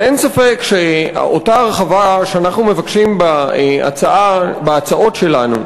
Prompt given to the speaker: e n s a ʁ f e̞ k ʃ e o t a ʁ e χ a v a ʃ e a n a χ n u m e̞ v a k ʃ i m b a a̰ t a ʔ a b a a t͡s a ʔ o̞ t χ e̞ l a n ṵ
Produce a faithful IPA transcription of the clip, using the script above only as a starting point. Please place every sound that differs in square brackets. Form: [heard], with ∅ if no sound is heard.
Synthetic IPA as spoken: e n s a [∅] f e̞ k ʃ e o t a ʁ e χ a v a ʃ e a n a χ n u m e̞ v a k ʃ i m b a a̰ [t͡s] a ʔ a b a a t͡s a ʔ o̞ t [ʃ] e̞ l a n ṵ